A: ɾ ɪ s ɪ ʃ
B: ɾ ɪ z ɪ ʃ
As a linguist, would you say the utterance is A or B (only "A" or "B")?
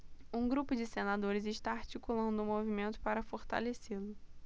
B